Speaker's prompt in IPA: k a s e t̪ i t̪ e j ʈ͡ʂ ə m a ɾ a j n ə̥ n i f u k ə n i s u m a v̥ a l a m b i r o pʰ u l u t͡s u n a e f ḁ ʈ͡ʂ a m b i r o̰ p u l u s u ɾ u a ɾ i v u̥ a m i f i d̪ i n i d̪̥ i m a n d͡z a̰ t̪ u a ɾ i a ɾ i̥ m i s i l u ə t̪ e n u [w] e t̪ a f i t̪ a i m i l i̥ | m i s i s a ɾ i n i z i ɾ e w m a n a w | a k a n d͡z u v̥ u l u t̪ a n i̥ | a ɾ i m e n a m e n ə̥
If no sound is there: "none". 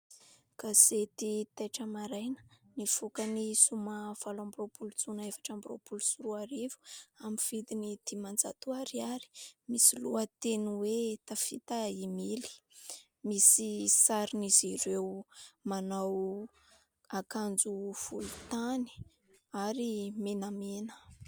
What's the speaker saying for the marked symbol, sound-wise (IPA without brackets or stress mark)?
w